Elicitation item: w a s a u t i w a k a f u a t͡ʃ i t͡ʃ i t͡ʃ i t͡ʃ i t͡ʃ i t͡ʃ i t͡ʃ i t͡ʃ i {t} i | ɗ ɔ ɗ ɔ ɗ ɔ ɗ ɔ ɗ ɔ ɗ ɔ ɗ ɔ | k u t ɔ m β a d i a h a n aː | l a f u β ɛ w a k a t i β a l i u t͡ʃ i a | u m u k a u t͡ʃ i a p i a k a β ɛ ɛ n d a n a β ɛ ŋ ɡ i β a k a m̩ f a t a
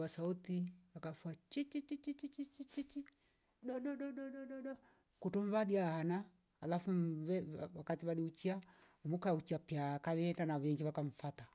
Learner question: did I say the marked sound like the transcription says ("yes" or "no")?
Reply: no